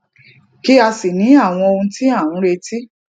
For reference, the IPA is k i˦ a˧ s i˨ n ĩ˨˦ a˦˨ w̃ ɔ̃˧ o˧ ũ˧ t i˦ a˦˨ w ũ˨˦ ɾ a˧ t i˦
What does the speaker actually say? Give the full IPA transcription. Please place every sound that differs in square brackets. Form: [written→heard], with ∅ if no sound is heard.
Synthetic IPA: k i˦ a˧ s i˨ n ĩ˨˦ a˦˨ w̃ ɔ̃˧ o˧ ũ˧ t i˦ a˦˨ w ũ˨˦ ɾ [a˧→e˧] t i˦